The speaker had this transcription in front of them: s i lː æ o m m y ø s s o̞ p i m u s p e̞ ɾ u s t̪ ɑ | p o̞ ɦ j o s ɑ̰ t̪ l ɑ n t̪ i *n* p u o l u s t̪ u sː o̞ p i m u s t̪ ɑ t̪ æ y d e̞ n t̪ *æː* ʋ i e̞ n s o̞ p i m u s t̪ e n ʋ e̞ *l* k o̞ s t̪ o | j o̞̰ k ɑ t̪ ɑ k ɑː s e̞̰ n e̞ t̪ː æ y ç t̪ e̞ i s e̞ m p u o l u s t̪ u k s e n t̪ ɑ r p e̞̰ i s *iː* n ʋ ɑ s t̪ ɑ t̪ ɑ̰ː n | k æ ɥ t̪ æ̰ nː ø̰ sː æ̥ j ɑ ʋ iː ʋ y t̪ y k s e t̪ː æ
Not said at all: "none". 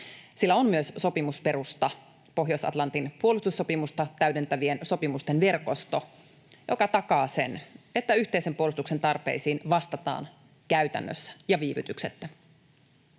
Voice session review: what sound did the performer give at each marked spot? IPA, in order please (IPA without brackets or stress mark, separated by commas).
n, æ, r, iː